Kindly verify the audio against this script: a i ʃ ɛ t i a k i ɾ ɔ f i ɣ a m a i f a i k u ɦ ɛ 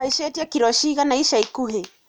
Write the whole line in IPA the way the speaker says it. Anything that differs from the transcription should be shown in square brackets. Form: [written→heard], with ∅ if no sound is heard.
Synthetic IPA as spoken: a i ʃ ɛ t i a k i ɾ ɔ [f→ʃ] i ɣ a [m→n] a i [f→ʃ] a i k u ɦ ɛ